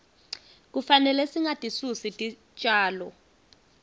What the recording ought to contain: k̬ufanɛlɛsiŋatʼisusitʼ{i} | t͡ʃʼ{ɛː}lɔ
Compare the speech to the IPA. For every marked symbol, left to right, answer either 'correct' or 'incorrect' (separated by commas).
correct, incorrect